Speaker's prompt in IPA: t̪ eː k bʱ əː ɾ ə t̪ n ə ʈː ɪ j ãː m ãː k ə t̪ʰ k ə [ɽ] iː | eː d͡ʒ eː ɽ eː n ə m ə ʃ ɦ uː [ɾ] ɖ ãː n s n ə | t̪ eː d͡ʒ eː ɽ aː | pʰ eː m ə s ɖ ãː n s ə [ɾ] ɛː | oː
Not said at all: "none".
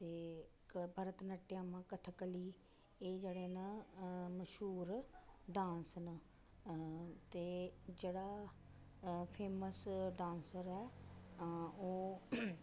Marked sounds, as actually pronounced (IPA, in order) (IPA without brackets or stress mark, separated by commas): l, ɾ, ɾ